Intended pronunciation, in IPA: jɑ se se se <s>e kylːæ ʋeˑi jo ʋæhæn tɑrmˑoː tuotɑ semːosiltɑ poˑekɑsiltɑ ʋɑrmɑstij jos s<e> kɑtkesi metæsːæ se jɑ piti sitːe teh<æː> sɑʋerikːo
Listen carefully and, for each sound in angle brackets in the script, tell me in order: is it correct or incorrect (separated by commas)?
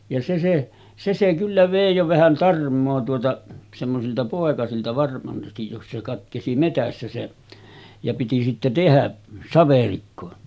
correct, correct, incorrect